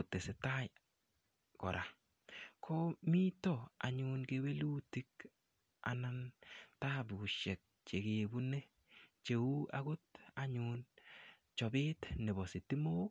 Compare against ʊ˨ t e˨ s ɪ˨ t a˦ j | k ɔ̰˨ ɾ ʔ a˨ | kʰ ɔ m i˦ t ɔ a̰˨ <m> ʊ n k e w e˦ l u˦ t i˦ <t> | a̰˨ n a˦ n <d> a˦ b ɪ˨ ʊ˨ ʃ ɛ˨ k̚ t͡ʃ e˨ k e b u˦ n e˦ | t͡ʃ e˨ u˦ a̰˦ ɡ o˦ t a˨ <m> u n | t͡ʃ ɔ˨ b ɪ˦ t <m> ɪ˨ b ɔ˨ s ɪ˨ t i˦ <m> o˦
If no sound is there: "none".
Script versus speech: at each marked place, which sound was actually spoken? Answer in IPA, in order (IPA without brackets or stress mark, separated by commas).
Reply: ɲ, k, t, ɲ, n, m